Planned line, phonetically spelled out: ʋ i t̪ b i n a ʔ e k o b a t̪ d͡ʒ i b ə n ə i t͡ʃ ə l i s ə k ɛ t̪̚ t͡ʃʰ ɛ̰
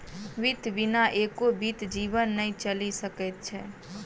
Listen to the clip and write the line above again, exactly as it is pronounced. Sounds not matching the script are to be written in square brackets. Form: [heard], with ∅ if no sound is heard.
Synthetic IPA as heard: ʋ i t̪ b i n a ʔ e k o b [i] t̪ d͡ʒ i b ə [nː] ə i t͡ʃ ə l i s ə k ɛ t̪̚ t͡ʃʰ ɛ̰